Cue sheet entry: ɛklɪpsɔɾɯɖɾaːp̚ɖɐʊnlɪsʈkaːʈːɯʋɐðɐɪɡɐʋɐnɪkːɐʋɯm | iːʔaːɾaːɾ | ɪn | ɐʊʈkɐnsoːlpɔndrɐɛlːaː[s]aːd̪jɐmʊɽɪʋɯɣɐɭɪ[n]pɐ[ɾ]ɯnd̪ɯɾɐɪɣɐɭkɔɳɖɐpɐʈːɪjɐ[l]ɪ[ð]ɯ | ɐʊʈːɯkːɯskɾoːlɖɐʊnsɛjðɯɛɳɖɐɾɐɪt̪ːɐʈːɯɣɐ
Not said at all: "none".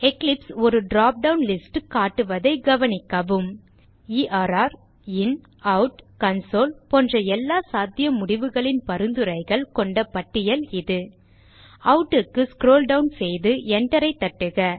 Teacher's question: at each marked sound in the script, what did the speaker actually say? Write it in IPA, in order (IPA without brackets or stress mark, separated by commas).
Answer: s, n, ɾ, l, ð